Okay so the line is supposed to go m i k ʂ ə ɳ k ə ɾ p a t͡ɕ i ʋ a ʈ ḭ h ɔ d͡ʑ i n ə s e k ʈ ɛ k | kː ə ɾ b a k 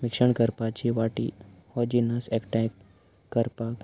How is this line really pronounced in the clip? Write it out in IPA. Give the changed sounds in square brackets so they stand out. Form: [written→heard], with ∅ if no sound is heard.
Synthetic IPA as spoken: m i k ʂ ə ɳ k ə ɾ p a t͡ɕ i ʋ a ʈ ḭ h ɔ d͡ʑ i n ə s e k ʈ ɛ k | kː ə ɾ [b→p] a k

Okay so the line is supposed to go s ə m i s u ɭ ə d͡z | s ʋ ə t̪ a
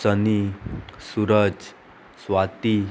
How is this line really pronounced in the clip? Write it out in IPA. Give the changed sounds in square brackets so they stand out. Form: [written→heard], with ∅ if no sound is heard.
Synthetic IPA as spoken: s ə [m→n] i s u [ɭ→ɾ] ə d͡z | s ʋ [ə→a] t̪ [a→i]

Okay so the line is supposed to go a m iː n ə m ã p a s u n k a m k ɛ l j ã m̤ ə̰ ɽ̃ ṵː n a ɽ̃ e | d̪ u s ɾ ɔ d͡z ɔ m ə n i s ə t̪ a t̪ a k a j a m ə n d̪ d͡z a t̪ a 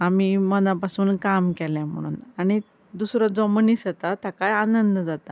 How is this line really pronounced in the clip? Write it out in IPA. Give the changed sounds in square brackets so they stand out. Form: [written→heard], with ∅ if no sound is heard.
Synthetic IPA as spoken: a m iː [n→m] ə [m→n] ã p a s [u→uː] n k a m k ɛ l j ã m̤ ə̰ ɽ̃ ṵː n a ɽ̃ [e→i] | d̪ u s ɾ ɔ d͡z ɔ m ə n i s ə t̪ a t̪ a k a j a [m→n] ə n d̪ d͡z a t̪ a

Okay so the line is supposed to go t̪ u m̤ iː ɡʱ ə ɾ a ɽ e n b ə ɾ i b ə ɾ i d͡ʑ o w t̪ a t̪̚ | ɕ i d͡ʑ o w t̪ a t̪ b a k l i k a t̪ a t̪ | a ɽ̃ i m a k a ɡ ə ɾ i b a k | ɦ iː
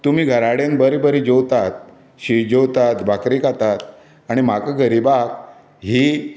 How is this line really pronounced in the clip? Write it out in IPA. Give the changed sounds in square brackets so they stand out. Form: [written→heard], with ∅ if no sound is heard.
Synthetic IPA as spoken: t̪ u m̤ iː ɡʱ ə ɾ a ɽ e n b ə ɾ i b ə ɾ i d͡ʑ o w t̪ a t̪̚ | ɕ i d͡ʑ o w t̪ a t̪ b a k [l→ɾ] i k a t̪ a t̪ | a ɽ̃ i m a k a ɡ ə ɾ i b a k | ɦ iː

